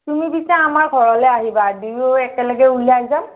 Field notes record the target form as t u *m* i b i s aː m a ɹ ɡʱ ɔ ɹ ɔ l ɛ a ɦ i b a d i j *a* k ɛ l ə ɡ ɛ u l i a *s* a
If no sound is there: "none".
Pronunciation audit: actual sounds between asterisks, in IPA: m, ɛ, z

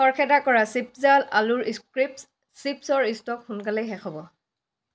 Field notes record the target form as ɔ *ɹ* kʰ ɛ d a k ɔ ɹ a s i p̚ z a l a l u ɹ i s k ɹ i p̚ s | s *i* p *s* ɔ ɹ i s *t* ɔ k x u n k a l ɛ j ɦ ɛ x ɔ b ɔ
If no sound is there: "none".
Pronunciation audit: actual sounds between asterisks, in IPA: ɹ, i, s, t

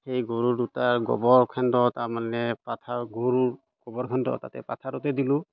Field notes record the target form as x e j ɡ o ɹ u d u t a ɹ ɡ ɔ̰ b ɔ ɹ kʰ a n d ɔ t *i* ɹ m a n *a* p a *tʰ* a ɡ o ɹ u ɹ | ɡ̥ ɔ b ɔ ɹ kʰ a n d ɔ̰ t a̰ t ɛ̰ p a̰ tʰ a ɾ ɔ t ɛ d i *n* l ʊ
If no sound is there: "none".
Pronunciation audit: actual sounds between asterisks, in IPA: a, ɛ, tʰ, none

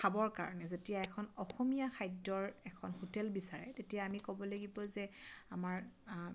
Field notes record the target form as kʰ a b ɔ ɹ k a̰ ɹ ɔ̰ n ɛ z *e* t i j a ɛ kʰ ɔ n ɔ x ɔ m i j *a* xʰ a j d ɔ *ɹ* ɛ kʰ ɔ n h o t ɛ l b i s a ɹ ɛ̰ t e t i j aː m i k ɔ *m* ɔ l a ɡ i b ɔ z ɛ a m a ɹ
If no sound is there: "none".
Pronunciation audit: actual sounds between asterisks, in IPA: e, a, ɹ, b

